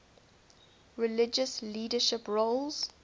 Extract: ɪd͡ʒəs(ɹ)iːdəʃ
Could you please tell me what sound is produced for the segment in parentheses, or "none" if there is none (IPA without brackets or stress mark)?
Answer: l